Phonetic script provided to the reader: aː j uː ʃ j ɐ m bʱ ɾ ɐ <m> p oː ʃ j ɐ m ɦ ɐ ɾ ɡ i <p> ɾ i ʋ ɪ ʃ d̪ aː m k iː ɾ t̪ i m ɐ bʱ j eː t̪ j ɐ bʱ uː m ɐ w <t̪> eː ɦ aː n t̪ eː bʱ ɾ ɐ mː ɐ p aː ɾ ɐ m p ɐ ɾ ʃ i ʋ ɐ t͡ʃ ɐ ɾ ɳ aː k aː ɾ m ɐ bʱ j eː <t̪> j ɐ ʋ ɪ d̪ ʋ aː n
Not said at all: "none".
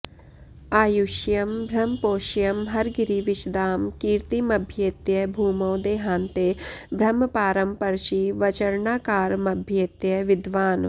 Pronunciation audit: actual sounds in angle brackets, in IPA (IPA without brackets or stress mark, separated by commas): m, none, d̪, t̪